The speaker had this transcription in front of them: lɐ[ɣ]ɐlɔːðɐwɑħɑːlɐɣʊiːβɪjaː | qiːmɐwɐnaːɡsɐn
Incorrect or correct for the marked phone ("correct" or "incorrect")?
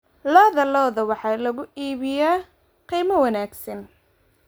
incorrect